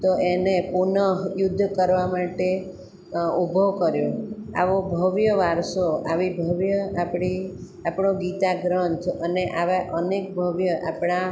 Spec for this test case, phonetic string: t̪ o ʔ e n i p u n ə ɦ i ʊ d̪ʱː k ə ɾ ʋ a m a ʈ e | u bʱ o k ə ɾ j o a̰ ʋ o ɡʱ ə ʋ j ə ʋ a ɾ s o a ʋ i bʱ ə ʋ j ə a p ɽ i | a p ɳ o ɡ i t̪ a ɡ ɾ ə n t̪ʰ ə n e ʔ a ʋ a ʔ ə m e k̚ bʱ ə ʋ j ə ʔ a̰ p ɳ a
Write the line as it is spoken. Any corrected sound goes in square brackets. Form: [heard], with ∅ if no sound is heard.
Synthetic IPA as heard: t̪ o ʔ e n [e] p u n ə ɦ [j] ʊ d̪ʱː k ə ɾ ʋ a m a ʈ e | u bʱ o k ə ɾ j o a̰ ʋ o [bʱ] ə ʋ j ə ʋ a ɾ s o a ʋ i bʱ ə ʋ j ə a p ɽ i | a p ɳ o ɡ i t̪ a ɡ ɾ ə n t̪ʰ ə n e ʔ a ʋ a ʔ ə [n] e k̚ bʱ ə ʋ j ə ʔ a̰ p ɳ a